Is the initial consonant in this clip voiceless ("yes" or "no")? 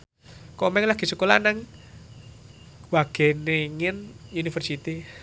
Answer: yes